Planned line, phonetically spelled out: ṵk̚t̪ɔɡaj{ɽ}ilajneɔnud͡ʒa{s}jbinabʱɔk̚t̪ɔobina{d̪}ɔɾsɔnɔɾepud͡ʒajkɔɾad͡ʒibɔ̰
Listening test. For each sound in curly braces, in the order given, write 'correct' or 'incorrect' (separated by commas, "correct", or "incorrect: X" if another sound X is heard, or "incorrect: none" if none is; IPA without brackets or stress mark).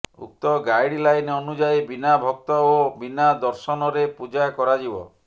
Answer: correct, incorrect: none, correct